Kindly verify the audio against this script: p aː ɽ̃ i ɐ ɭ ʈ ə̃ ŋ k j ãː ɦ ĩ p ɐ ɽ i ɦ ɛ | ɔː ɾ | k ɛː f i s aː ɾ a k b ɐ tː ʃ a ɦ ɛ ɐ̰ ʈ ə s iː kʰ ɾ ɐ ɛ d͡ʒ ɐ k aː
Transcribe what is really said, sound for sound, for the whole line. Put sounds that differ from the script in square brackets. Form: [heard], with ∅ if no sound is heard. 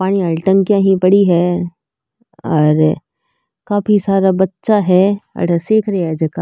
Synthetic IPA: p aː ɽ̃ i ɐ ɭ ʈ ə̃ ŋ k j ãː ɦ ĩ p ɐ ɽ i ɦ ɛ | ɔː ɾ | k [aː] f i s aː ɾ a [∅] b ɐ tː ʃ a ɦ ɛ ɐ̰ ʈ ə s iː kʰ ɾ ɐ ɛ d͡ʒ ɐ k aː